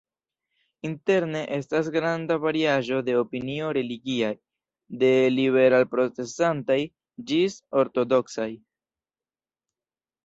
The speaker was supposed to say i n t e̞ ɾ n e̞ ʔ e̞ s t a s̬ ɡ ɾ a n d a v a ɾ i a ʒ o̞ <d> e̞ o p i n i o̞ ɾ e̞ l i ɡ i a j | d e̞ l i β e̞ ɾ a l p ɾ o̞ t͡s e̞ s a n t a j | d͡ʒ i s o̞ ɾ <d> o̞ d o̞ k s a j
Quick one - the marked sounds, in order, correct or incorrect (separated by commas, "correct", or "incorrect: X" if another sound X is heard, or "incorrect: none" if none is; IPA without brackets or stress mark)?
correct, incorrect: t